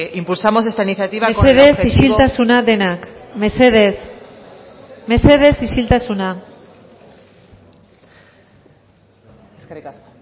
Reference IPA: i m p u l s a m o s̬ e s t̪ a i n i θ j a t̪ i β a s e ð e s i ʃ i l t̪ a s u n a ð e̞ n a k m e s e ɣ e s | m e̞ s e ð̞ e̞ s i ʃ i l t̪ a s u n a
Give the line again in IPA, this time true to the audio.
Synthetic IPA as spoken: i m p u l s a m o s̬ e s t̪ a i n i θ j a t̪ i β a s e ð e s i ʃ i l t̪ a s u n a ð e̞ n a k m e s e ð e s | m e̞ s e ð̞ e̞ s i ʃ i l t̪ a s u n a